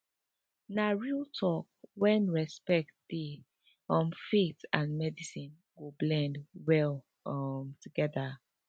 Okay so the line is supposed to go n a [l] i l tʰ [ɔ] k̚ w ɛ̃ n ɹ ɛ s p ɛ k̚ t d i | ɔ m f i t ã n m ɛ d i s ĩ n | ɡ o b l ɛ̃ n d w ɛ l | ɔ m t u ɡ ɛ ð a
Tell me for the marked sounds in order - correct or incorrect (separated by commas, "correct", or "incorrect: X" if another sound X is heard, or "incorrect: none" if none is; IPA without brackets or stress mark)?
incorrect: ɹ, correct